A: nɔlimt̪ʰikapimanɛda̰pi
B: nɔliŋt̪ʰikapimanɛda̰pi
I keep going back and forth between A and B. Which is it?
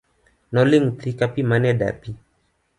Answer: B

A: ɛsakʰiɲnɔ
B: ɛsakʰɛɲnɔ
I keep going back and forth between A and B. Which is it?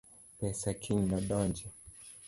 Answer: A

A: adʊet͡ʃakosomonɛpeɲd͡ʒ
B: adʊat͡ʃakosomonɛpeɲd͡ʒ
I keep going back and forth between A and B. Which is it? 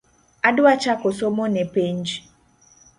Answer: B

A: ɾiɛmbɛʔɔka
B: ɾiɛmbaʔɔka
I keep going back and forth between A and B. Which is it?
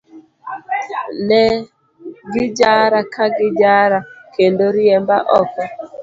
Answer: B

